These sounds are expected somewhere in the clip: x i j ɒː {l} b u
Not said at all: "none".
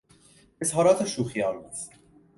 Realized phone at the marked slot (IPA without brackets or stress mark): l